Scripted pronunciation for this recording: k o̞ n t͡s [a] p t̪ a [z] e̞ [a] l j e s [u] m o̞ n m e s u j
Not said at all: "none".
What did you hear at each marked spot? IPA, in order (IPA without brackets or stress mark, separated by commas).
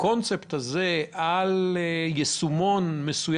e, z, a, u